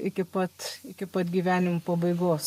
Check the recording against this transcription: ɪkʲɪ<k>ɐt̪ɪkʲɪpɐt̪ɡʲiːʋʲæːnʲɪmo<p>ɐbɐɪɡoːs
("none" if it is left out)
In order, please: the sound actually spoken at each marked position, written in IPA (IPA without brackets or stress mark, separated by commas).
p, p